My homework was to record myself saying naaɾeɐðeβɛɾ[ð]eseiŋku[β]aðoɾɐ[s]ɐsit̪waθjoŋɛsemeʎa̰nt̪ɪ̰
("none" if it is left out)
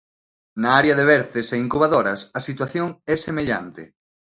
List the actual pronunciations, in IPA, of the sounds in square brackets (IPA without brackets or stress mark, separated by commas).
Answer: θ, β, s